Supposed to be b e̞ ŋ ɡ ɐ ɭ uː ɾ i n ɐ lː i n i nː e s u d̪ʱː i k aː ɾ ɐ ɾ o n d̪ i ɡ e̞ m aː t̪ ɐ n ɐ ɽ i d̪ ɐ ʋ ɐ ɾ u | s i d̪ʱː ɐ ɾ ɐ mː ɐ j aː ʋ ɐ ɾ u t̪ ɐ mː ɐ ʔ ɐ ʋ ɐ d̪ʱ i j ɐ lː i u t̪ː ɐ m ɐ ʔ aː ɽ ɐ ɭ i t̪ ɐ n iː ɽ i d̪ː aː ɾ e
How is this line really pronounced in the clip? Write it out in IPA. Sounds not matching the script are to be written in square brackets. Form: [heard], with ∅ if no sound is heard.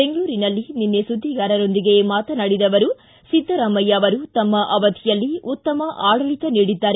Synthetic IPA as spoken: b e̞ ŋ ɡ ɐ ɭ uː ɾ i n ɐ lː i n i nː e s u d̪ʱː i [ɡ] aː ɾ ɐ ɾ o n d̪ i ɡ e̞ m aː t̪ ɐ n ɐ ɽ i d̪ ɐ ʋ ɐ ɾ u | s i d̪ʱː ɐ ɾ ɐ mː ɐ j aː ʋ ɐ ɾ u t̪ ɐ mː ɐ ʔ ɐ ʋ ɐ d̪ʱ i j ɐ lː i u t̪ː ɐ m ɐ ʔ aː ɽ ɐ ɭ i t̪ ɐ n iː ɽ i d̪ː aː ɾ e